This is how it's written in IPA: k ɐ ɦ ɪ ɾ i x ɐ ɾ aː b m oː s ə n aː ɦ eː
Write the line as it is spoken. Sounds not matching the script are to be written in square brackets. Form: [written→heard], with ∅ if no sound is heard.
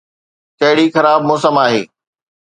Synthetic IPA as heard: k ɐ ɦ ɪ [ɾ→ɽ] i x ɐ ɾ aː b m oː s ə [n→m] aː ɦ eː